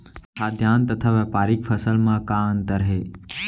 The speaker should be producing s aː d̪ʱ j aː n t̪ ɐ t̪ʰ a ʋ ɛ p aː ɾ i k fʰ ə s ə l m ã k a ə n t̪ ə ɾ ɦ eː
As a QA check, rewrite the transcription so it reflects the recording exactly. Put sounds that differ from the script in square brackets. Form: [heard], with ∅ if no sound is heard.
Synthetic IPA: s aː d̪ʱ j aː n t̪ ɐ t̪ʰ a ʋ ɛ p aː ɾ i k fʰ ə s ə l m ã k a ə n t̪ ə ɾ ɦ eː